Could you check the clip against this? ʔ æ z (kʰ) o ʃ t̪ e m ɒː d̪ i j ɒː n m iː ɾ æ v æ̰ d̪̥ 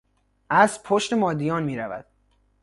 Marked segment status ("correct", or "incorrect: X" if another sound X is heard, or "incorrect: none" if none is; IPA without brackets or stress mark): incorrect: pʰ